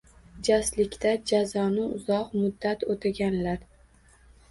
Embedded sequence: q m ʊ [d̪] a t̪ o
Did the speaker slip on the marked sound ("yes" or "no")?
yes